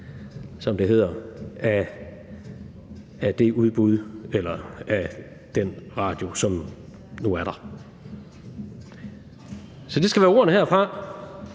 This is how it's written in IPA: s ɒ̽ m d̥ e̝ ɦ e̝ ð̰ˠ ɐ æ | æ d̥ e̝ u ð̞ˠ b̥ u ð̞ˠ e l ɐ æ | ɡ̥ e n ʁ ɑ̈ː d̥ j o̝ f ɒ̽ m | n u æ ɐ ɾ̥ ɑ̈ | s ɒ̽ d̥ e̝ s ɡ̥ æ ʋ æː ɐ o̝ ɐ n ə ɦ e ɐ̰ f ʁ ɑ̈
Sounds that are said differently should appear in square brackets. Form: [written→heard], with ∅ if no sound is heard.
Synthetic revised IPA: s ɒ̽ m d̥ e̝ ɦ e̝ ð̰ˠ ɐ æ | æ d̥ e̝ u ð̞ˠ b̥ u ð̞ˠ e l ɐ æ | [ɡ̥→d̥] e n ʁ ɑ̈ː d̥ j o̝ [f→s] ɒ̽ m | n u æ ɐ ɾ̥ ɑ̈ | s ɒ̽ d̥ e̝ s ɡ̥ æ ʋ æː ɐ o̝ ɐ n ə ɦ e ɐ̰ f ʁ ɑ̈